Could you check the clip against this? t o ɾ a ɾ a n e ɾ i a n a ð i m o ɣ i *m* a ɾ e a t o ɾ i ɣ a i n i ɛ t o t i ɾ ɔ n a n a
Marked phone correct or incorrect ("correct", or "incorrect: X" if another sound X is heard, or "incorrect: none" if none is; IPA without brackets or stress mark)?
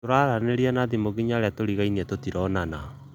incorrect: ɲ